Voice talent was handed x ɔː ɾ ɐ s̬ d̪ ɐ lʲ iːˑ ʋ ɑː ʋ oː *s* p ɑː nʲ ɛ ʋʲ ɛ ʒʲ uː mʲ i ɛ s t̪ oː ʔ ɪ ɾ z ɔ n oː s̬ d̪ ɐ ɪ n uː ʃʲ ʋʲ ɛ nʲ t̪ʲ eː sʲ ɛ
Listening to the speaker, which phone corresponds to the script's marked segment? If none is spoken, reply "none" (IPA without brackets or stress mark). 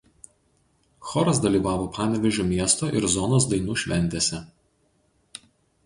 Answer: none